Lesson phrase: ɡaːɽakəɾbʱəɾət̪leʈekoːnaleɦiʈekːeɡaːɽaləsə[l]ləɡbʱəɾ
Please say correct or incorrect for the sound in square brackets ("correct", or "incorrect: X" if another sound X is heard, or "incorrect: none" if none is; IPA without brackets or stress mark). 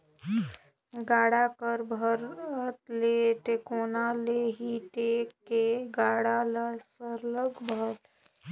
incorrect: ɾ